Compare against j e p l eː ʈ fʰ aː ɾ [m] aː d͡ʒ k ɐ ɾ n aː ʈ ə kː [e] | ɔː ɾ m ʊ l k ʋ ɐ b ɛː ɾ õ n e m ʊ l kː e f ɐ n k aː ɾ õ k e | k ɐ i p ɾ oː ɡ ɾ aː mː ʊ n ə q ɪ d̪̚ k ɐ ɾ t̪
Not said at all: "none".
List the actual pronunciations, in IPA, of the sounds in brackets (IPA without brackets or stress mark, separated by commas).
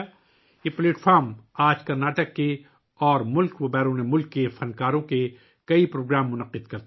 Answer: m, e